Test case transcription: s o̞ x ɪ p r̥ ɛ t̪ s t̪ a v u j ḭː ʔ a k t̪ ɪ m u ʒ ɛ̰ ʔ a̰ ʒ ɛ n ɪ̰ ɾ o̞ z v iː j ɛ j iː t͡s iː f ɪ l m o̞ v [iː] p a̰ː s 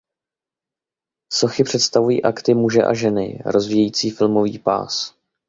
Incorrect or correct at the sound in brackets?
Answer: correct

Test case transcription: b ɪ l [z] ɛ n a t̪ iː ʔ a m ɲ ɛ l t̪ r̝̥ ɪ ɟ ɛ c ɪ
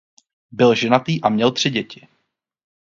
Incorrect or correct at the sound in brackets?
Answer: incorrect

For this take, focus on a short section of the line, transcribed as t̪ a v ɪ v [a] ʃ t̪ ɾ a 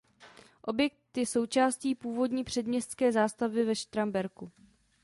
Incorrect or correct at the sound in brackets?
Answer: incorrect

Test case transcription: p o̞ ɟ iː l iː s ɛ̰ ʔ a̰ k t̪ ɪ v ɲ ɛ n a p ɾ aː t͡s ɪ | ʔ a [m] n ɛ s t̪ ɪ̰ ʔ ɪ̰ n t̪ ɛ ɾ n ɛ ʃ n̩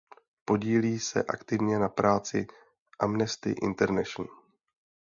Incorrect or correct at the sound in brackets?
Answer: correct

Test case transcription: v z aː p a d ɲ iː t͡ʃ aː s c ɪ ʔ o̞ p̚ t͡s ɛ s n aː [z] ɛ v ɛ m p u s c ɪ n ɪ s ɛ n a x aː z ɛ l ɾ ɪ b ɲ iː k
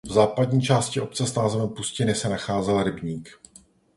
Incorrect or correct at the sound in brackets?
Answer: correct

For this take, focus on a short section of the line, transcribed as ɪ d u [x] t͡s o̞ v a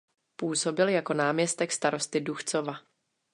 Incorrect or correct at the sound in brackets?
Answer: correct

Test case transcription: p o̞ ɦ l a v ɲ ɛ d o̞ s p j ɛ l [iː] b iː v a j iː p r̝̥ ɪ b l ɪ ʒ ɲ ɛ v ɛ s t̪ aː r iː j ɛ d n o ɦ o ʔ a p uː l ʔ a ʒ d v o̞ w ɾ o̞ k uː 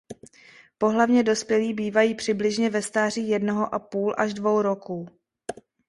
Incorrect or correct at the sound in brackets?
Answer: correct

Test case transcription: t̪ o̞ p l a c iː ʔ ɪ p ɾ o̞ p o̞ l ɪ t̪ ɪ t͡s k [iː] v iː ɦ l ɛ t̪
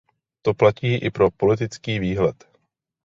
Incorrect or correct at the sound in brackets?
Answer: correct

